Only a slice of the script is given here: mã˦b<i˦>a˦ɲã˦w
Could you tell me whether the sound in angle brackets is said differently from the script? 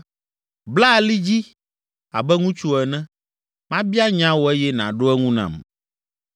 no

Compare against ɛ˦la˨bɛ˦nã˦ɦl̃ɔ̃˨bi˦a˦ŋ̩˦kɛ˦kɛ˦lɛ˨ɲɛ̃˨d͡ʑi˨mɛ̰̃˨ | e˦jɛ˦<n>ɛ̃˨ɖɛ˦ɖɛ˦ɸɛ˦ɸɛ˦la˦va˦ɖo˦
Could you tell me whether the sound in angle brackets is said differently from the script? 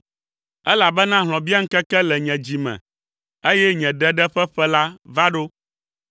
yes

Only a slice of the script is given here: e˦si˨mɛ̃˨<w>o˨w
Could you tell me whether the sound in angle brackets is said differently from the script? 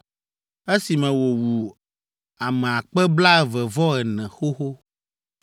no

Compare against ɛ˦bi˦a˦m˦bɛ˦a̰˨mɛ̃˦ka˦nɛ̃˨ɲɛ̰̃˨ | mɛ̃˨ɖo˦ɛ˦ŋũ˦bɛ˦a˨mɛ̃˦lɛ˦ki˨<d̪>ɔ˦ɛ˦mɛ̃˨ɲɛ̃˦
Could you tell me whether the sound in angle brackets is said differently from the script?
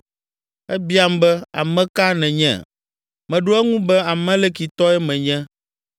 yes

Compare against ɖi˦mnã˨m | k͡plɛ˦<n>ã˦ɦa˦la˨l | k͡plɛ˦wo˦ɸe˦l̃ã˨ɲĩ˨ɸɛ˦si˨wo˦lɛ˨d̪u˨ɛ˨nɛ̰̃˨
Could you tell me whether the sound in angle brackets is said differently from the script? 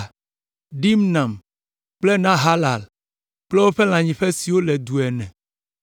no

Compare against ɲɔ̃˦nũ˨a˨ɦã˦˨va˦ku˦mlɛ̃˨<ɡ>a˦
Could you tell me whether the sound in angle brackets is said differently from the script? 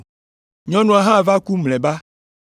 yes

